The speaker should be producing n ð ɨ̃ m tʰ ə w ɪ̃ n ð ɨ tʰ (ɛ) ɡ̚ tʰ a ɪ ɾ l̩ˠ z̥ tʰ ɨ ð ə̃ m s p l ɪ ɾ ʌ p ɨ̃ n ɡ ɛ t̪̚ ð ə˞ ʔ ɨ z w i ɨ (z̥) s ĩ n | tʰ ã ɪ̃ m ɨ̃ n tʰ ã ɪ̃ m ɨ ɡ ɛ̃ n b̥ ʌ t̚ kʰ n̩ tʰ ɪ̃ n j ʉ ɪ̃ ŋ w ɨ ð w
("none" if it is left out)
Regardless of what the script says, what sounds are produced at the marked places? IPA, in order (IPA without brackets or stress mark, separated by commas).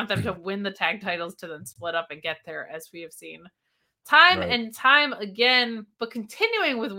æ, v̥